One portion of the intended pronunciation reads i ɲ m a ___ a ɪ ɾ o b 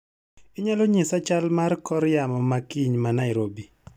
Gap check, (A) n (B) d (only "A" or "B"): A